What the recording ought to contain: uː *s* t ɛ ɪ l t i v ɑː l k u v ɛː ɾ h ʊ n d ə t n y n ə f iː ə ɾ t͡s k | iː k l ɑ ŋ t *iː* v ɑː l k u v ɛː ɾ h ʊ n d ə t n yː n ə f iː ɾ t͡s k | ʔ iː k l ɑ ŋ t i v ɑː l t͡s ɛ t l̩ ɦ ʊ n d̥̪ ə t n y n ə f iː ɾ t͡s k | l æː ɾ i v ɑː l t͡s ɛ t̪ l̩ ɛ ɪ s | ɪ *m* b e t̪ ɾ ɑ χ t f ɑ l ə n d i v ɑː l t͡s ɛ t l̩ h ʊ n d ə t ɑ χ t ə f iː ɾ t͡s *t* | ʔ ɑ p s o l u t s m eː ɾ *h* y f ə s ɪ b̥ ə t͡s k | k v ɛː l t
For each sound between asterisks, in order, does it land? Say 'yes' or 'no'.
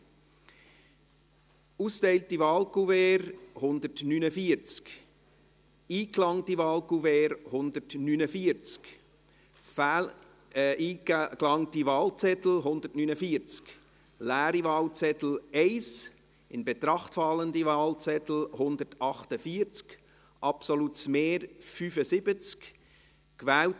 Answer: yes, no, no, no, no

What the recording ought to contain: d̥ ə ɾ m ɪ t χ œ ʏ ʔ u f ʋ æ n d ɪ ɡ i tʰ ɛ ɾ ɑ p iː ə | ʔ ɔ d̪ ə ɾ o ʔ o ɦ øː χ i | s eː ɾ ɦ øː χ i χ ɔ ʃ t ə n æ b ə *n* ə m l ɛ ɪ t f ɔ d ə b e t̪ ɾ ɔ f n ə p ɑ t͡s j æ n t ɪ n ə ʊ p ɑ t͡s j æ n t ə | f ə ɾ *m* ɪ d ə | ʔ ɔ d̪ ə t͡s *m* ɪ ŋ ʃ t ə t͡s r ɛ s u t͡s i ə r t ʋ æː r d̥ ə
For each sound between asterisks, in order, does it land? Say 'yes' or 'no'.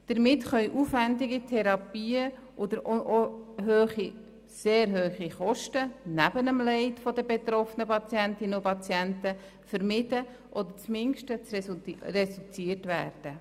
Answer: yes, yes, yes

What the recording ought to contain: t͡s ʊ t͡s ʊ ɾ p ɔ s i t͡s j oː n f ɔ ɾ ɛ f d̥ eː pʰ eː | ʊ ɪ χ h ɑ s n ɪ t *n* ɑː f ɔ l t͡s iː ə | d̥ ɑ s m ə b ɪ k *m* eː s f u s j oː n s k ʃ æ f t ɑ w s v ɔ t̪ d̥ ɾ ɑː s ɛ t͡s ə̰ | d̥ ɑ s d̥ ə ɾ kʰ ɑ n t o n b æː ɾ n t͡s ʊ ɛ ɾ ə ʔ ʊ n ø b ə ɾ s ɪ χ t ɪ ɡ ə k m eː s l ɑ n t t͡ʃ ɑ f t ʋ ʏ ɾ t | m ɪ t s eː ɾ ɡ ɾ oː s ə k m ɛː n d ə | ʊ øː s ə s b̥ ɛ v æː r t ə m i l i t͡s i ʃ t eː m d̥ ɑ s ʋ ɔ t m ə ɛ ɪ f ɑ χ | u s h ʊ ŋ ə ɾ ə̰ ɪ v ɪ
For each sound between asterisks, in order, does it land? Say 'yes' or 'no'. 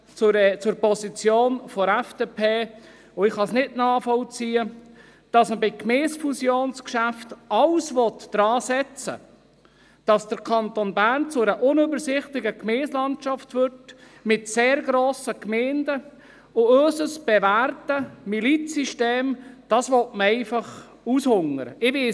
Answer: yes, yes

